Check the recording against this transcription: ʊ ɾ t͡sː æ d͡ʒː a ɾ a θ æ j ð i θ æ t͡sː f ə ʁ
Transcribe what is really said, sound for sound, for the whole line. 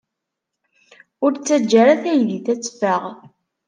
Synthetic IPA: ʊ ɾ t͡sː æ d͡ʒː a ɾ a θ æ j ð i θ æ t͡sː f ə ʁ